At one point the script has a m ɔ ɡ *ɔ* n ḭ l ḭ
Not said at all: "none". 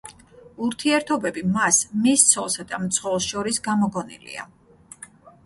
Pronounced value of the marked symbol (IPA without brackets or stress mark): ɔ